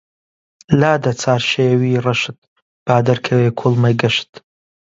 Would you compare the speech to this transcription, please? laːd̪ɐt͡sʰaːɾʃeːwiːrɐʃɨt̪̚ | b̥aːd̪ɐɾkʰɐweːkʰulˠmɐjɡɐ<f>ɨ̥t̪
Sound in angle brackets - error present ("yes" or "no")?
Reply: yes